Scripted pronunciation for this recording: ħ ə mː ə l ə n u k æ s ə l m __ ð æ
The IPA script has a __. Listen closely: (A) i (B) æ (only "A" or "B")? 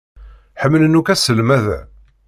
B